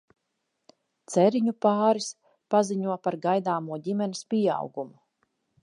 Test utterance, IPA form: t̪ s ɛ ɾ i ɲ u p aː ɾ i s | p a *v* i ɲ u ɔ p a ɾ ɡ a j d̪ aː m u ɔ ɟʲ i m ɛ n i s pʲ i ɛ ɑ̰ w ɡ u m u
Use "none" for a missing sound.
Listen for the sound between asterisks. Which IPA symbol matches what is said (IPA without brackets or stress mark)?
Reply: z